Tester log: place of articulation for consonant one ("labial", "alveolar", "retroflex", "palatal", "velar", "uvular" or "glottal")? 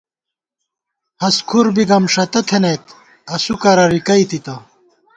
glottal